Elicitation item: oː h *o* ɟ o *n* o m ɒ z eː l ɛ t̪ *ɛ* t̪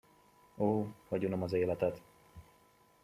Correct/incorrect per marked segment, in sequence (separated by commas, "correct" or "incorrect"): incorrect, correct, correct